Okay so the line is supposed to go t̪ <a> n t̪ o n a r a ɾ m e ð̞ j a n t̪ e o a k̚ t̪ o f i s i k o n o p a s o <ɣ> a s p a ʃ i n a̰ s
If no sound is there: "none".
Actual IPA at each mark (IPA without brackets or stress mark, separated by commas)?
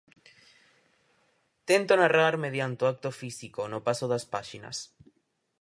e, ð